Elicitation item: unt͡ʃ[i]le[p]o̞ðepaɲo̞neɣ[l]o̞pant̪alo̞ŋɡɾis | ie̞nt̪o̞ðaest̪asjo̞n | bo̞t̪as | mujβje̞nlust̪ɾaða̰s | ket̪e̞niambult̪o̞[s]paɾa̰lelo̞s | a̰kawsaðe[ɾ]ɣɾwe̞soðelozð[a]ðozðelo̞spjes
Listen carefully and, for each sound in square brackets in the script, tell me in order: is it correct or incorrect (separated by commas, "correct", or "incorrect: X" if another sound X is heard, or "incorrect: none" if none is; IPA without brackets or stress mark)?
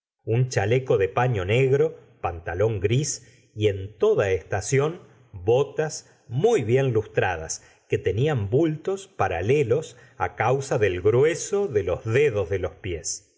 incorrect: a, incorrect: k, incorrect: ɾ, correct, incorrect: l, incorrect: e